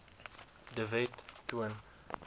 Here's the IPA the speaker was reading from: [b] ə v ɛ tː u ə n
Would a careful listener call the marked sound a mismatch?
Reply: yes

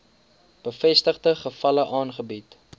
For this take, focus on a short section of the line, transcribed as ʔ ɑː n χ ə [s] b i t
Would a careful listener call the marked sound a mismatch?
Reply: yes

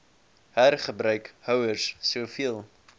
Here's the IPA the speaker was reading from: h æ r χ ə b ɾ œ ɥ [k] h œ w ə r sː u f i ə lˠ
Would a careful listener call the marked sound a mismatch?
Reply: no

